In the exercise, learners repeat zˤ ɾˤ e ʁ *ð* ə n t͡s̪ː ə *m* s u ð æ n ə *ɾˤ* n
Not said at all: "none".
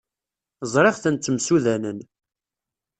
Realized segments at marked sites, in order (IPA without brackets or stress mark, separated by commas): θ, m, none